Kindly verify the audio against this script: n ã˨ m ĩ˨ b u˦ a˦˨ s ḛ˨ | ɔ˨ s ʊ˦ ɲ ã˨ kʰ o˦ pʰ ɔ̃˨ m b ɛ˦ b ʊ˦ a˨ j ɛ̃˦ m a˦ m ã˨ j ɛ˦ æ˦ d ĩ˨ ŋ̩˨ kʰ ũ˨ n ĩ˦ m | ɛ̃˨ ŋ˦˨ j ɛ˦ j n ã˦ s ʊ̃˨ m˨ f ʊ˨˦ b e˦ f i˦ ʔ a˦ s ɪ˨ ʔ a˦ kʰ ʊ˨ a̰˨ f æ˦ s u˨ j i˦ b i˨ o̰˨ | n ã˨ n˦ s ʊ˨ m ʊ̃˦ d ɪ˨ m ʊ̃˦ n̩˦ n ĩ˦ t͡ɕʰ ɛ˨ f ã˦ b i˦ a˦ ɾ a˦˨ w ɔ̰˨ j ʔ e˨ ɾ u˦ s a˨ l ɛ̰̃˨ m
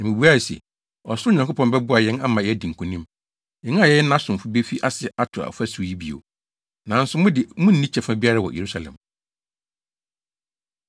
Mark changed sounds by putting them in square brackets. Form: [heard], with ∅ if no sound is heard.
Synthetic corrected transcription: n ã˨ m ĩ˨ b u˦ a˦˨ s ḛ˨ | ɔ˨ s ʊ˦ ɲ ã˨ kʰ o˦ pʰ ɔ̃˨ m b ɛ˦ b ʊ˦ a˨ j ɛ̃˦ [n] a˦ m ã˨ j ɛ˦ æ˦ d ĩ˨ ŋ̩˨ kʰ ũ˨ n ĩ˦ m | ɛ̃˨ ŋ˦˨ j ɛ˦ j n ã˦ s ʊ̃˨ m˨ f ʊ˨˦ b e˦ f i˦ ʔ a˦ s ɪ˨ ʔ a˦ [tʰ] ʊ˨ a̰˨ f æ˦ s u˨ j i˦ b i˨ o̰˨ | n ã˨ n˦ s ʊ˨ m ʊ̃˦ d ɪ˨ m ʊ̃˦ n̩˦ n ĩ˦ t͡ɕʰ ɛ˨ f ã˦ b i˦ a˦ ɾ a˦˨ w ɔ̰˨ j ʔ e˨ ɾ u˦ s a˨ l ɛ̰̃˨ m